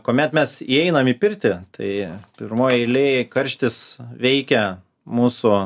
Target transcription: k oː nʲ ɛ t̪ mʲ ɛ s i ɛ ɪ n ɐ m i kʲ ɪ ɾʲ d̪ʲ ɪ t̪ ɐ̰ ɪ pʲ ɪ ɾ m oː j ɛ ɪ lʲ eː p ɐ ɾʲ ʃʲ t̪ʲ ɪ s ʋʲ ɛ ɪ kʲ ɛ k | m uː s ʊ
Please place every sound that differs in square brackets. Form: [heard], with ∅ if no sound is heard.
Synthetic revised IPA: k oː [mʲ] ɛ t̪ mʲ ɛ s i ɛ ɪ n ɐ m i [pʲ] ɪ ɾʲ [t̪ʲ] ɪ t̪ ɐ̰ ɪ pʲ ɪ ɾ m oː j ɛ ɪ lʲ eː [k] ɐ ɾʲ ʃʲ t̪ʲ ɪ s ʋʲ ɛ ɪ kʲ ɛ [∅] | m uː s ʊ

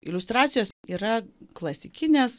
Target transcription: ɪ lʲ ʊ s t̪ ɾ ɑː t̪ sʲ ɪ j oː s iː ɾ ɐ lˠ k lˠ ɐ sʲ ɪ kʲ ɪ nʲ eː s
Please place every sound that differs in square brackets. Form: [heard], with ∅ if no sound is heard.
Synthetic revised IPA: ɪ lʲ ʊ s t̪ ɾ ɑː t̪ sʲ ɪ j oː s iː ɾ ɐ [∅] k lˠ ɐ sʲ ɪ kʲ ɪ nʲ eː s

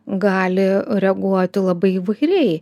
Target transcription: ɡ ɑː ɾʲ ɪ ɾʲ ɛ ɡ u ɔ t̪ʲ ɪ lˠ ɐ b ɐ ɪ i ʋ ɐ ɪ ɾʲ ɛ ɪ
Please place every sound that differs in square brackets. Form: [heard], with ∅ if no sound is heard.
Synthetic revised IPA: ɡ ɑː [lʲ] ɪ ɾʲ ɛ ɡ u ɔ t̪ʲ ɪ lˠ ɐ b ɐ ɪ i ʋ ɐ ɪ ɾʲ ɛ ɪ

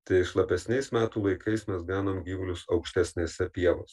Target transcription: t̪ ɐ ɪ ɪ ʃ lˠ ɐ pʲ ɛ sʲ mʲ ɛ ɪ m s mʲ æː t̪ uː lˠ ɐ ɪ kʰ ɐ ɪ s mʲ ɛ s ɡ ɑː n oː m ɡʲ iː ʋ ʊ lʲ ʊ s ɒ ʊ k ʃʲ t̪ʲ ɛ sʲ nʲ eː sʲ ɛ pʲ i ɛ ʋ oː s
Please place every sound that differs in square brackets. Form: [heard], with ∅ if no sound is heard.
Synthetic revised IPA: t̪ ɐ ɪ ɪ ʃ lˠ ɐ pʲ ɛ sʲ [nʲ] ɛ ɪ [∅] s mʲ æː t̪ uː lˠ ɐ ɪ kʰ ɐ ɪ s mʲ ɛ s ɡ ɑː n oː m ɡʲ iː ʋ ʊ lʲ ʊ s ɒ ʊ k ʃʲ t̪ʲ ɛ sʲ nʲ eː sʲ ɛ pʲ i ɛ ʋ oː s

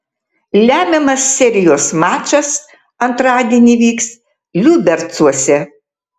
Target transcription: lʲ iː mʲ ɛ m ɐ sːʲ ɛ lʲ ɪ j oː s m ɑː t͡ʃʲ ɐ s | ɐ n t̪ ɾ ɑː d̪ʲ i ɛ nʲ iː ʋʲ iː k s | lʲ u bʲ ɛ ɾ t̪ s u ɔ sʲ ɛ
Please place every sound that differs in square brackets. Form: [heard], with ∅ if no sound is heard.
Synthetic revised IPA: lʲ [æː] mʲ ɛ m ɐ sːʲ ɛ [ɾʲ] ɪ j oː s m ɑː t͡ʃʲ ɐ s | ɐ n t̪ ɾ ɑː d̪ʲ i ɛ nʲ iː ʋʲ iː k s | lʲ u bʲ ɛ ɾ t̪ s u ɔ sʲ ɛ

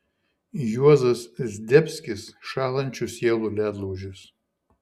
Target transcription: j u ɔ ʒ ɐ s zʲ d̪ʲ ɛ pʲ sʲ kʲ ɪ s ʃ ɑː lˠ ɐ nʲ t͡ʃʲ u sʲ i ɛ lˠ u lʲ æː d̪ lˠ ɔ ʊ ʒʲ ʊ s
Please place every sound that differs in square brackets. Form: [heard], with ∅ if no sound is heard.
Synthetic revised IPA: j u ɔ [z] ɐ s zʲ d̪ʲ ɛ pʲ sʲ kʲ ɪ s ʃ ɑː lˠ ɐ nʲ t͡ʃʲ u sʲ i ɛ lˠ u lʲ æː d̪ lˠ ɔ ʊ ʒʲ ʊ s

